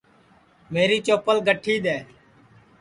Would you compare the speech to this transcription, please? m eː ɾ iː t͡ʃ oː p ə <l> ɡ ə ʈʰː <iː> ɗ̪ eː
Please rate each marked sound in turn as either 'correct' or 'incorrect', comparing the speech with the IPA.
correct, correct

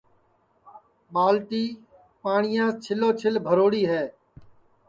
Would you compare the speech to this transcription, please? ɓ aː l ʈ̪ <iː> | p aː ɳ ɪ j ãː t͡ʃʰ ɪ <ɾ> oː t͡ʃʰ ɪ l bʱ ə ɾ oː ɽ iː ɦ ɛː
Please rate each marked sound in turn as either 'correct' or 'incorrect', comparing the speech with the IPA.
correct, incorrect

